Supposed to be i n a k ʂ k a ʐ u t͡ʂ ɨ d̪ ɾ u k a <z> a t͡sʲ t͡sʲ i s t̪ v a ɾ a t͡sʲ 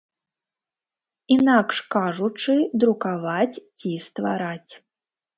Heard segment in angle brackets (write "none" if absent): v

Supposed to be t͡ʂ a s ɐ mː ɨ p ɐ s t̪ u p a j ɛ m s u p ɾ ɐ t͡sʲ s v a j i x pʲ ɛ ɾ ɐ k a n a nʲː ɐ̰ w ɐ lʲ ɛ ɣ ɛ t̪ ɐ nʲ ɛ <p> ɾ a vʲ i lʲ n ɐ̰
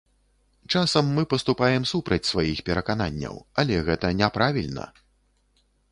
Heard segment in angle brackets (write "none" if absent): p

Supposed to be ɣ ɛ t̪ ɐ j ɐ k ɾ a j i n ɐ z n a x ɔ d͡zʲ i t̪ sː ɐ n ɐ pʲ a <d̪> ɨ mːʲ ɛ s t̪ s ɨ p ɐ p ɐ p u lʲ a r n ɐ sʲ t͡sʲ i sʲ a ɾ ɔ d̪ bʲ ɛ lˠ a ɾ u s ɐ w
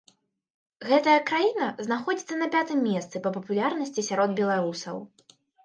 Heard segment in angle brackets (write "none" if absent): t̪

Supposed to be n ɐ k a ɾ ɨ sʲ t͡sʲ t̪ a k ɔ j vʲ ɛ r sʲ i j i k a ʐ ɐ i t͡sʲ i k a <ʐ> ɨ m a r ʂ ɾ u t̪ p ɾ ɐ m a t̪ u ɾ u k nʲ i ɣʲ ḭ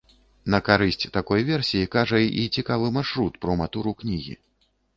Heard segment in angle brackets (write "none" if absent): v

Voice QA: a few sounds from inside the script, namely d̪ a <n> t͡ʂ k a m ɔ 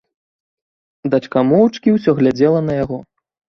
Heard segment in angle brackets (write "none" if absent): none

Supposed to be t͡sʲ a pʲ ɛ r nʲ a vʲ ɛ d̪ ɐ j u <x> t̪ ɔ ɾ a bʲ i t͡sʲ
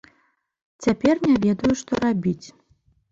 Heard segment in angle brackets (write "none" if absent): ʂ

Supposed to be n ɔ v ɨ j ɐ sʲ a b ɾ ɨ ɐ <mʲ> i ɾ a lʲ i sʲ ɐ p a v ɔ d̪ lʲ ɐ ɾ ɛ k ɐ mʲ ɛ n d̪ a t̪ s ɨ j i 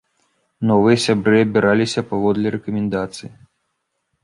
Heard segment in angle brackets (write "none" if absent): bʲ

